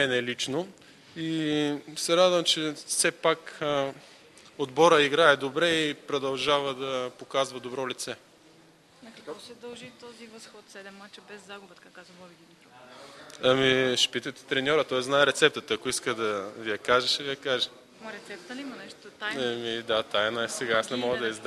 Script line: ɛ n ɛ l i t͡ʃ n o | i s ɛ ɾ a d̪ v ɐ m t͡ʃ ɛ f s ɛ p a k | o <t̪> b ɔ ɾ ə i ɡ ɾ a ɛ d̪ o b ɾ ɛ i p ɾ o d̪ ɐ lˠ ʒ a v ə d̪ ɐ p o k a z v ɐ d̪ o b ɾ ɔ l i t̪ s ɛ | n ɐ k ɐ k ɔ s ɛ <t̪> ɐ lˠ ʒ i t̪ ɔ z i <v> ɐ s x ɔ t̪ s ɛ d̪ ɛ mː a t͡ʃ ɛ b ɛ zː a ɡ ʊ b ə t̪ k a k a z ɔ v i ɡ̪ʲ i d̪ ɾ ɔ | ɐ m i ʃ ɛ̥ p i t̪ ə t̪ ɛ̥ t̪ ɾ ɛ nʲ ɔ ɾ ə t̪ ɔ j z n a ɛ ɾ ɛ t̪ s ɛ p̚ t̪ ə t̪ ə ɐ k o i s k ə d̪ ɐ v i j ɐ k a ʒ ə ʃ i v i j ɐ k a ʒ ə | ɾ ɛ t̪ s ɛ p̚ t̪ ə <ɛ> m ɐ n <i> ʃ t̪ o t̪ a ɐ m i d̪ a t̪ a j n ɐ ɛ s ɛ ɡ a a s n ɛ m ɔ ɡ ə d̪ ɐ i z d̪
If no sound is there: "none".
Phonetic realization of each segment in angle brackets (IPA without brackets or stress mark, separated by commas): d̪, d̪, v, i, ɛ